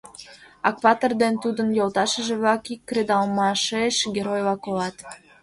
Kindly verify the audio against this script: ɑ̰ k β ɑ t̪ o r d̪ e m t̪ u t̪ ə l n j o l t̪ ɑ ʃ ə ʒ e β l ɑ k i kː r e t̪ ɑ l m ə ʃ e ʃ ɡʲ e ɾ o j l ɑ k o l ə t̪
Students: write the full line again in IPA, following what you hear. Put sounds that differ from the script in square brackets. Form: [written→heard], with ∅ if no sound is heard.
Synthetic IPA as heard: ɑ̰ k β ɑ t̪ o r d̪ e [m→n] t̪ u [t̪→d̪] ə [l→∅] n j o l t̪ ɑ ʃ ə ʒ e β l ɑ k i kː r e [t̪→d̪] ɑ l m [ə→ɑ] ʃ e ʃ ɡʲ e ɾ o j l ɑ k o l [ə→ɑ] t̪